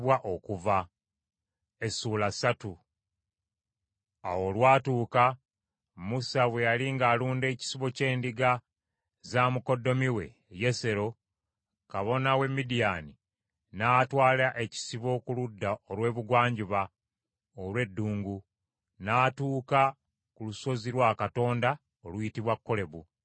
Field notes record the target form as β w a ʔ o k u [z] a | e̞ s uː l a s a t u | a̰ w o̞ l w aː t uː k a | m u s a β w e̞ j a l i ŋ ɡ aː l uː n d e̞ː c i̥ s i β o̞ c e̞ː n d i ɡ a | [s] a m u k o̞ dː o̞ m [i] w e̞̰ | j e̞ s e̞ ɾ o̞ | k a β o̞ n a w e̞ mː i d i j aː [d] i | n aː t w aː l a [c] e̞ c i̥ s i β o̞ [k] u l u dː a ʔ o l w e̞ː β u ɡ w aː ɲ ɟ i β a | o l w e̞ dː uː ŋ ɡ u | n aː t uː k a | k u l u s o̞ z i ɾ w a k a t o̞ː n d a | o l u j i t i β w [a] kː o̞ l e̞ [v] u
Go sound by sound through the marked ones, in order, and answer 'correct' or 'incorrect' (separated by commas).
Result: incorrect, incorrect, correct, incorrect, incorrect, correct, correct, incorrect